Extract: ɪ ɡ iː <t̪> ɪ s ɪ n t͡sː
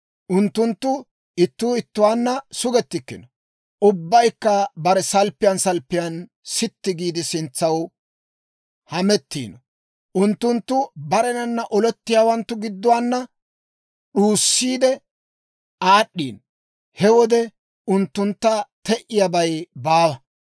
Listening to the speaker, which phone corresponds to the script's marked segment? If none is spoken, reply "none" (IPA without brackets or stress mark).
d̪